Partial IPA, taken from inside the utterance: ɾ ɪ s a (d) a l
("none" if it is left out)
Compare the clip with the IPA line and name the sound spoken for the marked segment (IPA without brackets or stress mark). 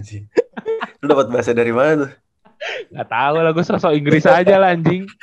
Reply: d͡ʒ